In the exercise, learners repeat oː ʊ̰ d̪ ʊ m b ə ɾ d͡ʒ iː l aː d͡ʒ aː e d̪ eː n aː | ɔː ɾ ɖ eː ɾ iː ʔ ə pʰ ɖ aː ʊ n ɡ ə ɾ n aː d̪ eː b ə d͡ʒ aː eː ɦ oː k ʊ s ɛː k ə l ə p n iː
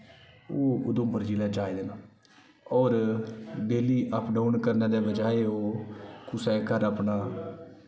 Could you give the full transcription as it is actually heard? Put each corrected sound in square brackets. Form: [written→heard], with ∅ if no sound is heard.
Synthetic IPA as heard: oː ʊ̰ d̪ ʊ m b ə ɾ d͡ʒ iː l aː d͡ʒ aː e d̪ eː n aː | ɔː ɾ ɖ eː [ɾ→l] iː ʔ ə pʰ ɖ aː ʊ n [ɡ→k] ə ɾ n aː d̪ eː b ə d͡ʒ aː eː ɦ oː k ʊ s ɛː k ə [l→ɾ] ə p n [iː→aː]